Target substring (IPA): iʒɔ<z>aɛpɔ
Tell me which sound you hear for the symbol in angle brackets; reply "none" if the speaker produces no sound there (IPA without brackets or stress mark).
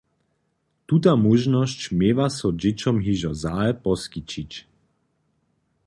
z